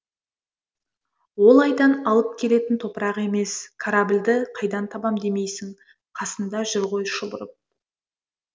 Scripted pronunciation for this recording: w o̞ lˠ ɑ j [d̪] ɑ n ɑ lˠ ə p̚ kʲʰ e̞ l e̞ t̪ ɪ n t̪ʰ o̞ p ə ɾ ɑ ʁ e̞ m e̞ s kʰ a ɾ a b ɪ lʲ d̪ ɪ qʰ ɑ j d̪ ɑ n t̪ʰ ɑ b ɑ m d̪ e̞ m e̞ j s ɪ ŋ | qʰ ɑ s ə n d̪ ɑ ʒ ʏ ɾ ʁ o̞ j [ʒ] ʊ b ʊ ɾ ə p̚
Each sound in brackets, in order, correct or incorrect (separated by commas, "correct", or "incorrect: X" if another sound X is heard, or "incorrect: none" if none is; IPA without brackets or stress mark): correct, incorrect: ʃ